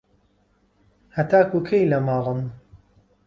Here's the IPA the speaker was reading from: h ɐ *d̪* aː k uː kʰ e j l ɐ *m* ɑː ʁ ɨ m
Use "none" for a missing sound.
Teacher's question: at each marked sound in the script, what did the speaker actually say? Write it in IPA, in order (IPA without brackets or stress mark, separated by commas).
t̪, m